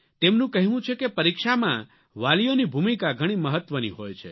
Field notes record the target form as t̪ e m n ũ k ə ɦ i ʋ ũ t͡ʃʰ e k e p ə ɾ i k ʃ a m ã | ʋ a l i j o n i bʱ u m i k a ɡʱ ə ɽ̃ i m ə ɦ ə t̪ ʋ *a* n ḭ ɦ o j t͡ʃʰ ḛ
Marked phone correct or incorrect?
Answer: incorrect